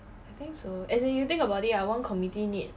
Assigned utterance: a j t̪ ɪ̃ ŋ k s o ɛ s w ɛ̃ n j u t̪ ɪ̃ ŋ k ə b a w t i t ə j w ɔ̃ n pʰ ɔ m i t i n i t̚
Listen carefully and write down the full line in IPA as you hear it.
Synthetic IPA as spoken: a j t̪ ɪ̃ ŋ k s o ɛ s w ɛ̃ n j u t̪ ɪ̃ ŋ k ə b a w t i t a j w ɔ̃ n kʰ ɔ m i t i n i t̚